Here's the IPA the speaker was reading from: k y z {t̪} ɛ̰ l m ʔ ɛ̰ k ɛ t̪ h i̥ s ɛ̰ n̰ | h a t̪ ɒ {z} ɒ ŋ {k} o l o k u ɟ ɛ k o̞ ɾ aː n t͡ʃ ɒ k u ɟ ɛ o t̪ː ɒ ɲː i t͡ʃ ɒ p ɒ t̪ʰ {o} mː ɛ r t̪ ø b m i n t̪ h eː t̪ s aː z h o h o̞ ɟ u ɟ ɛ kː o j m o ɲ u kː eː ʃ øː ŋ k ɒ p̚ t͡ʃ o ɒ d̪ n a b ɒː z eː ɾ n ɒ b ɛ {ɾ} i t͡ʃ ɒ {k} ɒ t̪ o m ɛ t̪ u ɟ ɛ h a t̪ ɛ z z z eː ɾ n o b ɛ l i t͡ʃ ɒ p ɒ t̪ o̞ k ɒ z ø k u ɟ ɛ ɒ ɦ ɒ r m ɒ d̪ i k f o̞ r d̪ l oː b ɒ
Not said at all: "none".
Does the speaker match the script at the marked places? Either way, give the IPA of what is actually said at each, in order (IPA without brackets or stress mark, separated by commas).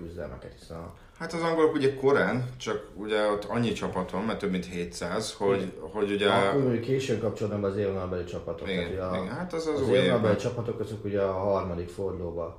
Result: d̪, z, ɡ, o, l, p